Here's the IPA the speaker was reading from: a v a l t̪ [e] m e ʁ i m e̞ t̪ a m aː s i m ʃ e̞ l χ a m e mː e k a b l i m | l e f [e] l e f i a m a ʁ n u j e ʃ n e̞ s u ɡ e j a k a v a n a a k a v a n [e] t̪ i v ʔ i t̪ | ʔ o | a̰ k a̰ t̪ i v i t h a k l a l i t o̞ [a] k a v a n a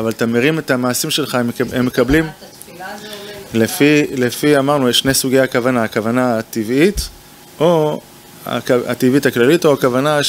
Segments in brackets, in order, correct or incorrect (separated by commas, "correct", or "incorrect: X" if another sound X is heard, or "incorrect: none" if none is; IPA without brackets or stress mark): incorrect: a, incorrect: i, incorrect: a, correct